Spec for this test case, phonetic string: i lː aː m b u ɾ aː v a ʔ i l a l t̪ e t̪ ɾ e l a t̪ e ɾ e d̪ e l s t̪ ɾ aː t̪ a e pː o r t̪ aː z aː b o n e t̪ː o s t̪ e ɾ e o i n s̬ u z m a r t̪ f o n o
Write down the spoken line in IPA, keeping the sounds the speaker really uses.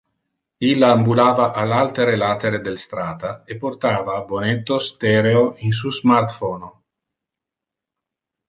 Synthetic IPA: i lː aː m b u l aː v a ʔ a l a l t̪ e ɾ e l a t̪ e ɾ e d̪ e l s t̪ ɾ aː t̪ a e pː o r t̪ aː v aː b o n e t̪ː o s t̪ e ɾ e o i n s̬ u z m a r t̪ f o n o